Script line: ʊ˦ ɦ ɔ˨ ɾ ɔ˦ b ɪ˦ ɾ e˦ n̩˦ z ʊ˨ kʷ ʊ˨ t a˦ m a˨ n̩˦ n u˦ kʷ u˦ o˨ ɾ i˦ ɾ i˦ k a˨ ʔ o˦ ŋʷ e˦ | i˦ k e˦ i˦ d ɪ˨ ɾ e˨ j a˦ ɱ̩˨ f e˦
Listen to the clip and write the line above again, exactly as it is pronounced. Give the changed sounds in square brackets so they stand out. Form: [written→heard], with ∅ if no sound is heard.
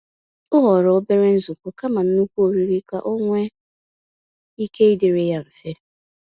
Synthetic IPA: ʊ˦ ɦ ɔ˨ ɾ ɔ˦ b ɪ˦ ɾ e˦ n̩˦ z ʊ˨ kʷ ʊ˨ [t→k] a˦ m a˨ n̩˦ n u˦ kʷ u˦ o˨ ɾ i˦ ɾ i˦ k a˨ ʔ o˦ ŋʷ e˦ | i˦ k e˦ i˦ d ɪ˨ ɾ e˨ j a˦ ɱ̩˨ f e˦